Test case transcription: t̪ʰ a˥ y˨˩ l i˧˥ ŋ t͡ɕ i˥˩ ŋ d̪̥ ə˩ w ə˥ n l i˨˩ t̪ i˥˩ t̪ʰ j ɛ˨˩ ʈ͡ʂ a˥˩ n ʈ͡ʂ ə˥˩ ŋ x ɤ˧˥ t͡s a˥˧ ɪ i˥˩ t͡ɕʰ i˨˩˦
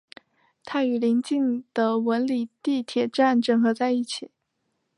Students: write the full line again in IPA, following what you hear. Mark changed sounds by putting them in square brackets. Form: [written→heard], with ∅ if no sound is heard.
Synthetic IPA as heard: t̪ʰ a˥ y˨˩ l i˧˥ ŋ t͡ɕ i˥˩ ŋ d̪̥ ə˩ w [ə˥→ə˧˥] n l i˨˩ t̪ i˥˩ t̪ʰ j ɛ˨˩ ʈ͡ʂ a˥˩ n ʈ͡ʂ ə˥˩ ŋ x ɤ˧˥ t͡s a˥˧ ɪ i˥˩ t͡ɕʰ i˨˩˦